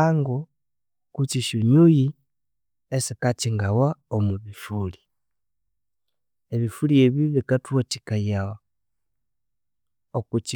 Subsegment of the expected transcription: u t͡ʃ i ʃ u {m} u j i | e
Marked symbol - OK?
no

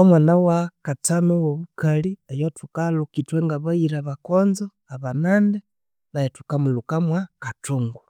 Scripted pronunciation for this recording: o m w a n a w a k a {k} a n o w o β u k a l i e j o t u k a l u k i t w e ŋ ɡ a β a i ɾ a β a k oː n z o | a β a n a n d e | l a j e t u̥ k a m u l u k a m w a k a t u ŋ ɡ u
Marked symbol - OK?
no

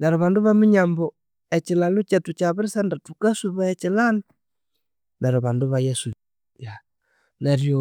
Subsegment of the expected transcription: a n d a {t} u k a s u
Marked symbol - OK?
yes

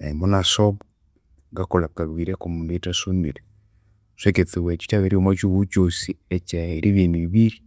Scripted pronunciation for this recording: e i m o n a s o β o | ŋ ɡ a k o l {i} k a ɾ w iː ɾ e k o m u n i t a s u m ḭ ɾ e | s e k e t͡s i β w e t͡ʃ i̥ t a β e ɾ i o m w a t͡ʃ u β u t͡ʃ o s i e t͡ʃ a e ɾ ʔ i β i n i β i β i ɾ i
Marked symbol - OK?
no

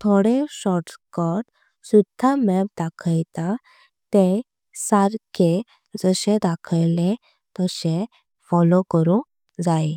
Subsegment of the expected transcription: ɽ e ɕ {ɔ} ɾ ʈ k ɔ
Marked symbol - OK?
yes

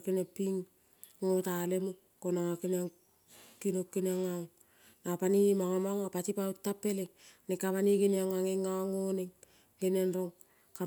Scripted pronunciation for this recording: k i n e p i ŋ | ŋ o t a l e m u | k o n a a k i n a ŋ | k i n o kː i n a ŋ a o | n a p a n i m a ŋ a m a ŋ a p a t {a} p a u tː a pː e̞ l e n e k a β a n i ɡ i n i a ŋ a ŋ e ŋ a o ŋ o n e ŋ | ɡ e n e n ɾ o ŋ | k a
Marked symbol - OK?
no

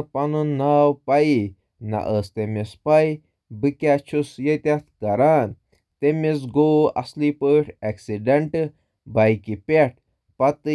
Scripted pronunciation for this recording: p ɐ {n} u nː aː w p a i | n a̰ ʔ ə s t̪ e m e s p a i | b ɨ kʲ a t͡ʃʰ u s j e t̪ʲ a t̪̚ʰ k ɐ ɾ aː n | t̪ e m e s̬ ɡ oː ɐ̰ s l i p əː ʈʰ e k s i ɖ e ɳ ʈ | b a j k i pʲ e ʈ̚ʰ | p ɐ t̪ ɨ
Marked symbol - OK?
yes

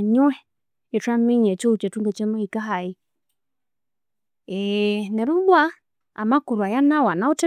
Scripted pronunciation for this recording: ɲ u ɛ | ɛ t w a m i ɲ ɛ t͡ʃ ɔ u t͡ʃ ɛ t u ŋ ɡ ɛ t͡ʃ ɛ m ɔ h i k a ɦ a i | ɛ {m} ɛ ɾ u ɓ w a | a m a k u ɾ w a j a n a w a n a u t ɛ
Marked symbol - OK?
no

